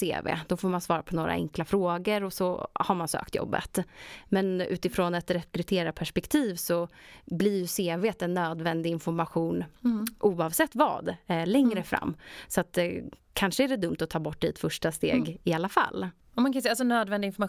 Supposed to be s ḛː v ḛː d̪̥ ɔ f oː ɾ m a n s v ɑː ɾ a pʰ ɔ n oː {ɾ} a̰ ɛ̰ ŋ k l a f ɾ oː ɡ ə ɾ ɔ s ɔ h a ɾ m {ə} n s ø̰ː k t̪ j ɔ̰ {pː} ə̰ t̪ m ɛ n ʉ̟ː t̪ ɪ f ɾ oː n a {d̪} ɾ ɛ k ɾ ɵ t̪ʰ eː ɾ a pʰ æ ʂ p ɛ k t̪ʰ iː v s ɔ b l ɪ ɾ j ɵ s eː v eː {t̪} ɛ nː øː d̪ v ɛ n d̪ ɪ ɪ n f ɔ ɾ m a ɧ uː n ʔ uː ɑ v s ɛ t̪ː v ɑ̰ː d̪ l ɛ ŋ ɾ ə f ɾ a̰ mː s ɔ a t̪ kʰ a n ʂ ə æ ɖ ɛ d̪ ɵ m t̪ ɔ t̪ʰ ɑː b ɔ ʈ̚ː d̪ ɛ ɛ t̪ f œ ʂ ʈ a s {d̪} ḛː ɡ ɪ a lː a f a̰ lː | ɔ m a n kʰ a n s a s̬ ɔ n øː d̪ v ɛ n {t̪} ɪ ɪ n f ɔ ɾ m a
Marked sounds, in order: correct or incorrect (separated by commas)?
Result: correct, incorrect, incorrect, incorrect, correct, incorrect, incorrect